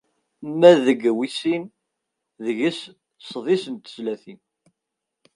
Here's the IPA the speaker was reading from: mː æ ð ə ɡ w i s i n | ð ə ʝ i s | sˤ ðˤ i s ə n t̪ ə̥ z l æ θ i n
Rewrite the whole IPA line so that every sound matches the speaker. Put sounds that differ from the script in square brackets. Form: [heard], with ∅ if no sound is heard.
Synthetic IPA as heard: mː æ ð ə ɡ w i s i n | ð ə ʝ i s | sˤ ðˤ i s ə n t̪ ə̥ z l æ θ i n